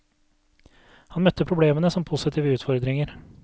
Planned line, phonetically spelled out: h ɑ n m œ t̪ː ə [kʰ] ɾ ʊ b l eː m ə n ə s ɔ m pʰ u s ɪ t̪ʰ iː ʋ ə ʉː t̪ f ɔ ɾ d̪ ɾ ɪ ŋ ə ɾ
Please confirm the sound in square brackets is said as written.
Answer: no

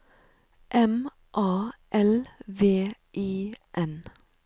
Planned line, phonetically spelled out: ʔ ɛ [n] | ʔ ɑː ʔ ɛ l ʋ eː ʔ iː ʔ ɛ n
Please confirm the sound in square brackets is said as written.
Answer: no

